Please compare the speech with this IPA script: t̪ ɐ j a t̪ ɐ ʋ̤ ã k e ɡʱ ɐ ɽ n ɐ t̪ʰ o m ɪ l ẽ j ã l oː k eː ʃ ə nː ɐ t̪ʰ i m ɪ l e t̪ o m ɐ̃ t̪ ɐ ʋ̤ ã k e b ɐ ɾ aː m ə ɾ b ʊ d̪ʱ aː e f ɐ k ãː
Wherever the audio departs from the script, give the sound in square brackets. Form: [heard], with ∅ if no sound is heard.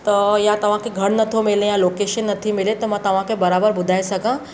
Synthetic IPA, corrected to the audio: t̪ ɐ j a t̪ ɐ ʋ̤ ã k e ɡʱ ɐ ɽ n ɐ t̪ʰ o m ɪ l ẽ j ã l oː k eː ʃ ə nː ɐ t̪ʰ i m ɪ l e t̪ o m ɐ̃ t̪ ɐ ʋ̤ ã k e b ɐ ɾ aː [b] ə ɾ b ʊ d̪ʱ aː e [s] ɐ k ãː